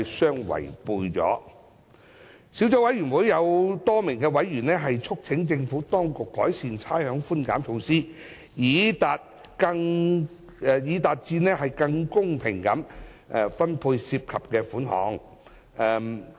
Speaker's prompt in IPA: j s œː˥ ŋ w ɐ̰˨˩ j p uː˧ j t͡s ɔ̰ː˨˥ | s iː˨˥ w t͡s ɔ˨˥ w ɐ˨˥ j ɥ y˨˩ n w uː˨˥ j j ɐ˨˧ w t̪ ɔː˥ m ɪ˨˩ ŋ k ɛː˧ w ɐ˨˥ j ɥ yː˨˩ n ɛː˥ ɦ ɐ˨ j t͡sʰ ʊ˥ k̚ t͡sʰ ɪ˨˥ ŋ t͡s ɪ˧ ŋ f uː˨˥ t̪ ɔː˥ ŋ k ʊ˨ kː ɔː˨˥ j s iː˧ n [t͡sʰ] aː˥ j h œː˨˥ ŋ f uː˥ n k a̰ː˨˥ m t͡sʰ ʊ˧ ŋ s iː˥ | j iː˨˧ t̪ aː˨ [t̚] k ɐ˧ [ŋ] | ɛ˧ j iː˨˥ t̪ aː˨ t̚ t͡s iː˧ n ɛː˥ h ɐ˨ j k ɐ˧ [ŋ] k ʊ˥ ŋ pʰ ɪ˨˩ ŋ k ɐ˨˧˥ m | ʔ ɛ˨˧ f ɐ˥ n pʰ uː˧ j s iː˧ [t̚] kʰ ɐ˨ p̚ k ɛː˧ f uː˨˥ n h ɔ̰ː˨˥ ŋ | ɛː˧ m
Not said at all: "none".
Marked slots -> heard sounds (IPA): t͡sʰ, t̚, ŋ, ŋ, p̚

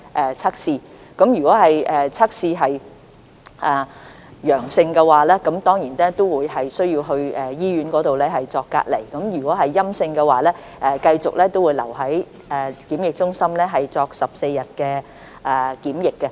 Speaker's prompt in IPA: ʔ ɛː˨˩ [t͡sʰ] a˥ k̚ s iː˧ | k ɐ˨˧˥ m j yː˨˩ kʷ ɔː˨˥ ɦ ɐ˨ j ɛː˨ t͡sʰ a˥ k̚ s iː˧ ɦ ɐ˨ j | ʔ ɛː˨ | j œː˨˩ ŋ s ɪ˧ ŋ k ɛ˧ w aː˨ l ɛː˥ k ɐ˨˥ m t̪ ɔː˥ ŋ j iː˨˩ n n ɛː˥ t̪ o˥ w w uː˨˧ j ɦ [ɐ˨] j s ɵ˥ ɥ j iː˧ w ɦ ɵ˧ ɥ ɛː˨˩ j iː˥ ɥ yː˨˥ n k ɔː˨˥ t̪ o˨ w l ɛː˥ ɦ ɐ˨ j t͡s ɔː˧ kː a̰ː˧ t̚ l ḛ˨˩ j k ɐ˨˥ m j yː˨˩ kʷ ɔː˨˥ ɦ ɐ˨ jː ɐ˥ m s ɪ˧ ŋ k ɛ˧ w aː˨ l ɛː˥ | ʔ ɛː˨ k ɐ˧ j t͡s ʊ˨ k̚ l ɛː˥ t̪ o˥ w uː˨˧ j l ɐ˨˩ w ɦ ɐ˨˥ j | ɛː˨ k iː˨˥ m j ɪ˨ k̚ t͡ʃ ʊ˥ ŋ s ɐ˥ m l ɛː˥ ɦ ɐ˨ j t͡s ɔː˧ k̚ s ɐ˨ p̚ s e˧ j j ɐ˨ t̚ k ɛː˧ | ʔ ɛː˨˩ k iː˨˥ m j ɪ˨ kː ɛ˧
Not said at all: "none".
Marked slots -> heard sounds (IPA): t͡sʰ, ɐ˨

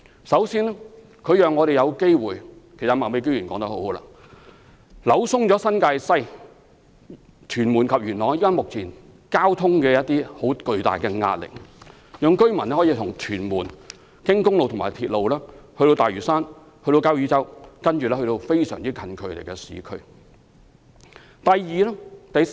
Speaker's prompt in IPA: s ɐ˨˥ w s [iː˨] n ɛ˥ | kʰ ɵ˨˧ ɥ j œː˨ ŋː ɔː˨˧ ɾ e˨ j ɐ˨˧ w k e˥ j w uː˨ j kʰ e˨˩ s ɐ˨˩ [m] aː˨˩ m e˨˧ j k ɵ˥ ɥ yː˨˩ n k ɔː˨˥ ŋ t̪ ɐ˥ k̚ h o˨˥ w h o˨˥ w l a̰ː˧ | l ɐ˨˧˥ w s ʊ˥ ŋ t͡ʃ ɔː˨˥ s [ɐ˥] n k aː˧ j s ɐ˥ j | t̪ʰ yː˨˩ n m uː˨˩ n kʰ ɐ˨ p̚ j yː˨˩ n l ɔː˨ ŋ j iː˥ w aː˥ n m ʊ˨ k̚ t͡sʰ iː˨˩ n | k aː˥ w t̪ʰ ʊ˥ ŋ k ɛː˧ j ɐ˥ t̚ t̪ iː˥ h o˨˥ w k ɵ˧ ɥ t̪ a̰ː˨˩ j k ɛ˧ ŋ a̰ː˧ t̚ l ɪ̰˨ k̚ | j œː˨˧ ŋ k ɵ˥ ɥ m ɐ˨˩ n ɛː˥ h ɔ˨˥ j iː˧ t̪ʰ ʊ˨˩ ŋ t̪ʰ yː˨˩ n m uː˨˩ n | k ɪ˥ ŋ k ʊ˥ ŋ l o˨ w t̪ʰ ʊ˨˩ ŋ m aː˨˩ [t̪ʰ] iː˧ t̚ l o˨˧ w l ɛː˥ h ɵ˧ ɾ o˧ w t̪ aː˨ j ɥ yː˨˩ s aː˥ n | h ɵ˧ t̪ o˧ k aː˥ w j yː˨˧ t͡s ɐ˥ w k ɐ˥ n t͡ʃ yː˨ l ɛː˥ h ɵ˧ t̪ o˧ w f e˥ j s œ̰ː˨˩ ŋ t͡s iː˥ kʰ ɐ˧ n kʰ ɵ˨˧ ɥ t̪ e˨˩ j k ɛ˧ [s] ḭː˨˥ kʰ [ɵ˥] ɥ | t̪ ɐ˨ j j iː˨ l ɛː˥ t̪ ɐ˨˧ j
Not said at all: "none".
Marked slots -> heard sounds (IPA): iː˥, m, ɐ˥, t̪ʰ, s, ɵ˥

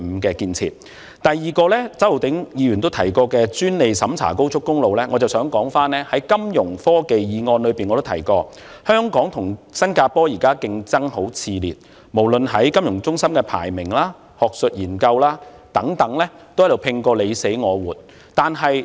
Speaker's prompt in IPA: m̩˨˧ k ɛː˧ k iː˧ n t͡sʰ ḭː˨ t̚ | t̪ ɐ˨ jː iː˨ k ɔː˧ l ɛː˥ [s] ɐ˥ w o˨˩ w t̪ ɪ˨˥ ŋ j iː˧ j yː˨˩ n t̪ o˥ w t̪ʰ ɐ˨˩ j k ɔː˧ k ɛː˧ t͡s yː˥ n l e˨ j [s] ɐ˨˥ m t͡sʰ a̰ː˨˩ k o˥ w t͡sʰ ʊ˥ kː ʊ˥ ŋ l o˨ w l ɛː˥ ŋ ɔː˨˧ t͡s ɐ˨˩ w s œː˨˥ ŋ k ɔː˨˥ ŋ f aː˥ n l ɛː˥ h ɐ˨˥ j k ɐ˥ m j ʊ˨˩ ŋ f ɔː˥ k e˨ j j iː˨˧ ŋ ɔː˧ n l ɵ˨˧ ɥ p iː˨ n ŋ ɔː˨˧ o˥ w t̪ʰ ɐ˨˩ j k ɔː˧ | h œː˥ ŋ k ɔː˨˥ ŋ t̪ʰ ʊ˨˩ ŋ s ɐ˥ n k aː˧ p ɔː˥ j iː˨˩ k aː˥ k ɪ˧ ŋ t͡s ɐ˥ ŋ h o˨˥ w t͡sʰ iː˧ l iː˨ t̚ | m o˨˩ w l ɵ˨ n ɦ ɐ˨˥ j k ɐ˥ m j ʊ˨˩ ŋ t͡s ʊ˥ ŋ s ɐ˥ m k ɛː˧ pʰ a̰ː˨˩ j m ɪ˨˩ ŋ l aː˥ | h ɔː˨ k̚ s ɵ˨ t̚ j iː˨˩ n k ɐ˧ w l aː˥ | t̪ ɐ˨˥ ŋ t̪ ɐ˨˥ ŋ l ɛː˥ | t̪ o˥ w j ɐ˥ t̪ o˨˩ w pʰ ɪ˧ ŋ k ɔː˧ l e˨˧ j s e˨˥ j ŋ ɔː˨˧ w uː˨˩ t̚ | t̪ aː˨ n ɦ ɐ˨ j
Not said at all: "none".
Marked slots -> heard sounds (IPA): t͡s, s

